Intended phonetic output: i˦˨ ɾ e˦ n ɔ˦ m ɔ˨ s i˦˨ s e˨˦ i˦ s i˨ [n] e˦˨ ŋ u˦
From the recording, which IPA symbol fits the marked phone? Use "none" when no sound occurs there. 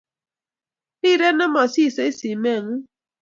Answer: m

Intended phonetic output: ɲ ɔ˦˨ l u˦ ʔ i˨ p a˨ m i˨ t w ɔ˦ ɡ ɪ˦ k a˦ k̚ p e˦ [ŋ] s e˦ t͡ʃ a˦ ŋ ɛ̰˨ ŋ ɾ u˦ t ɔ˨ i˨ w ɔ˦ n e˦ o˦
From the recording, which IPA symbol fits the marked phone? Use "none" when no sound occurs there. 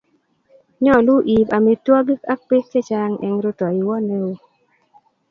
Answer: none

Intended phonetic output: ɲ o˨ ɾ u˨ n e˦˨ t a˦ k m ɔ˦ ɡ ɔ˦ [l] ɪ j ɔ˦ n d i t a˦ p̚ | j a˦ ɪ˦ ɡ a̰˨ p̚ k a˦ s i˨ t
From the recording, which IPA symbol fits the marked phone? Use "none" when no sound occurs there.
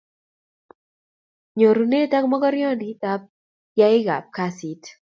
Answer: ɾ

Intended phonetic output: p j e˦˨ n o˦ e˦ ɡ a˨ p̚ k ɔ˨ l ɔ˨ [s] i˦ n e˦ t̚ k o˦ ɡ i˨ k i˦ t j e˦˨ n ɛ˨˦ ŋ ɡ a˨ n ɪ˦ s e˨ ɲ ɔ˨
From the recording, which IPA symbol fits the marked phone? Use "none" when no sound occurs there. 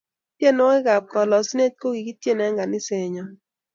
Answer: s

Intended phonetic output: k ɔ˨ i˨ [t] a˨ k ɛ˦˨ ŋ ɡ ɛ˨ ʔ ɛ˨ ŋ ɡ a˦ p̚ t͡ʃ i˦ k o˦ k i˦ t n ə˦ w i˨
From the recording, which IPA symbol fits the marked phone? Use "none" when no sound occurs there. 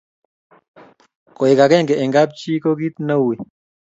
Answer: k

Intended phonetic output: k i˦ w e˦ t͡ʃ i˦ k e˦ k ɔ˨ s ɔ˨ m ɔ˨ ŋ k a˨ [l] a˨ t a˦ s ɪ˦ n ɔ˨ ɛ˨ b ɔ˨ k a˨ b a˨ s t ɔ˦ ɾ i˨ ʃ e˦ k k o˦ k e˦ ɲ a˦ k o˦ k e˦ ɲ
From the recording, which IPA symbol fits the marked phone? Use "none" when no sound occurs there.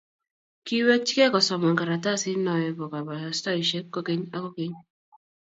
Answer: ɾ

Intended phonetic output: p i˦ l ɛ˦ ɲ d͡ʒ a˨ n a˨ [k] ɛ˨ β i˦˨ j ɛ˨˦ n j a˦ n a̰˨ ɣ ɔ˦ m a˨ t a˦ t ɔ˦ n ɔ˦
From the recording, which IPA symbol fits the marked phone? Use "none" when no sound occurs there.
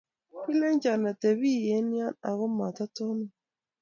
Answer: t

